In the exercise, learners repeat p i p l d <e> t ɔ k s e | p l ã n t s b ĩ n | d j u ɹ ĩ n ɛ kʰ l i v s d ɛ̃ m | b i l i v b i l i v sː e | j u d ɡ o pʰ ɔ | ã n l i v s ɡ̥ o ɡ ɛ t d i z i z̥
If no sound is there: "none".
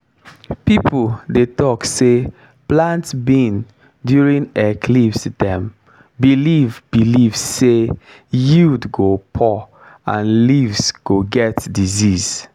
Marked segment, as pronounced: e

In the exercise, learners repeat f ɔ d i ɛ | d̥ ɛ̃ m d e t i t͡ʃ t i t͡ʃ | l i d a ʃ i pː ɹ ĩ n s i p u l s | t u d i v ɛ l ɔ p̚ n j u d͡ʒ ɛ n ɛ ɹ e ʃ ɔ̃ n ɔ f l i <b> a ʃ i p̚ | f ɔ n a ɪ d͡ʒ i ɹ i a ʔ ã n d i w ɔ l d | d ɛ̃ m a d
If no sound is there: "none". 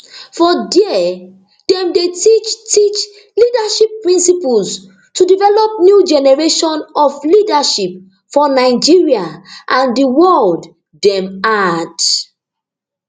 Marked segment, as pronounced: d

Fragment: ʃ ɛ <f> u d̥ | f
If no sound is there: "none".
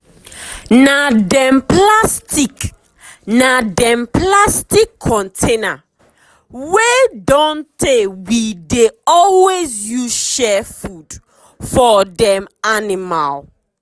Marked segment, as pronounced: f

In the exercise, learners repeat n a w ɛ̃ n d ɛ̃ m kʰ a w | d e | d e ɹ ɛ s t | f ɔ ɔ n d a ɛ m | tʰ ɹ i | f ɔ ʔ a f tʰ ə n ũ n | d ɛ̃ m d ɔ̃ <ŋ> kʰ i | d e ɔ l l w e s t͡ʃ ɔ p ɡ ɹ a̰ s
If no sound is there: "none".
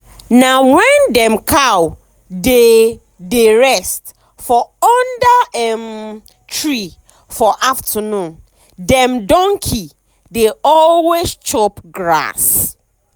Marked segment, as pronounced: ŋ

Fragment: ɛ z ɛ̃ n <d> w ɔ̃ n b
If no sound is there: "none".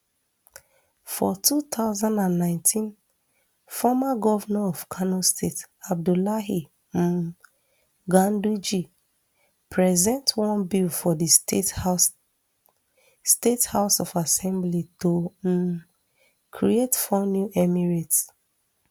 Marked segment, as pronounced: t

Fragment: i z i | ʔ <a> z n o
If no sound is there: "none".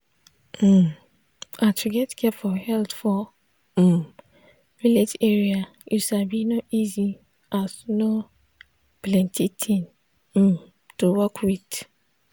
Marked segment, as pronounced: a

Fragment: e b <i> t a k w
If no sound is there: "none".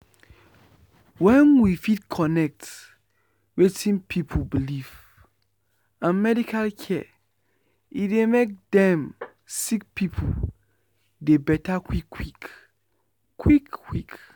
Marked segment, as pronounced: ɛ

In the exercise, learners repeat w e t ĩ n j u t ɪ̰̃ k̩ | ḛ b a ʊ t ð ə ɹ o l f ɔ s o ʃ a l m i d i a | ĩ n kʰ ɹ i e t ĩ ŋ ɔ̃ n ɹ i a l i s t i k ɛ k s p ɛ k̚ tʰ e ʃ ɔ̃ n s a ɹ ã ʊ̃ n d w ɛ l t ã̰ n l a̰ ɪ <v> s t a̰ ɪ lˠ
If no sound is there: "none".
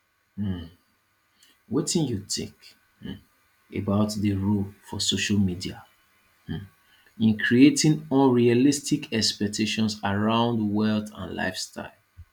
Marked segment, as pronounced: f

